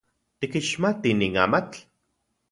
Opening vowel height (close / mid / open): close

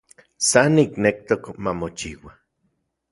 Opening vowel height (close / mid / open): open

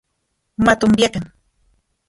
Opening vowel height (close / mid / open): open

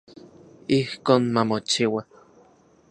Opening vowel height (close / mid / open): close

